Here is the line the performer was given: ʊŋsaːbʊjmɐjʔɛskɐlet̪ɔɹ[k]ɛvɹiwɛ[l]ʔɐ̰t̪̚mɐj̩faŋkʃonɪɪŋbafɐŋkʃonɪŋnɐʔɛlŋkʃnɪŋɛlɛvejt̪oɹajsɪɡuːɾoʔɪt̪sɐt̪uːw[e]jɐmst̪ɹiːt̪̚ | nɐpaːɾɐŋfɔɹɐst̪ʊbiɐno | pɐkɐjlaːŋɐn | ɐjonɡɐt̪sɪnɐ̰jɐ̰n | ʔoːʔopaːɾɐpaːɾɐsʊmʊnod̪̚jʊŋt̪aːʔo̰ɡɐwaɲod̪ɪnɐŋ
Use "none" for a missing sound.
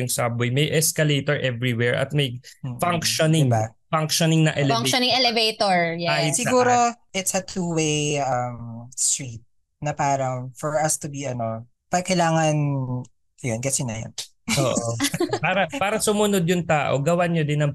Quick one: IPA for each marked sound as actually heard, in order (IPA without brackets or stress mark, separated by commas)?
ʔ, ɹ, e